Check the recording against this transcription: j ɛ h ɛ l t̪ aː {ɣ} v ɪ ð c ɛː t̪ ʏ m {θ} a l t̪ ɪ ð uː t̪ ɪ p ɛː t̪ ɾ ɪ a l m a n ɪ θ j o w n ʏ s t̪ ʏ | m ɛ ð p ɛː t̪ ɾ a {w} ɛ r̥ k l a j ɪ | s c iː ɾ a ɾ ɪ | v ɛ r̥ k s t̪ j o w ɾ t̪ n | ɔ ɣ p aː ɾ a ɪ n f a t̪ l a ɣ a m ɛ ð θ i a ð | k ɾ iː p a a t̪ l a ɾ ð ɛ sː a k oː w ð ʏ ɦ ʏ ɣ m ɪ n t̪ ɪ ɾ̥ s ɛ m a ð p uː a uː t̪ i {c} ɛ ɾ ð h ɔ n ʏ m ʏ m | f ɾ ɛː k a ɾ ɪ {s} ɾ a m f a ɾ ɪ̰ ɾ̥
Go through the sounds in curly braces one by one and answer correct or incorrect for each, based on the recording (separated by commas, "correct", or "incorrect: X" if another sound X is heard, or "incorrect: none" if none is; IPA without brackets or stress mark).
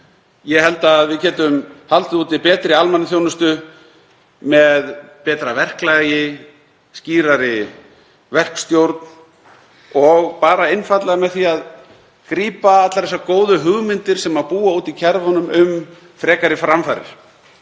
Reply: incorrect: ð, incorrect: h, incorrect: v, incorrect: cʰ, incorrect: f